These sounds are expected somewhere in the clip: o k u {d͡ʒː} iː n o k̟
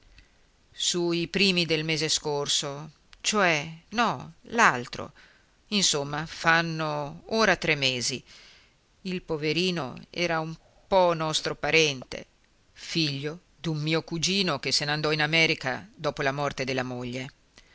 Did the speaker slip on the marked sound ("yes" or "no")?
yes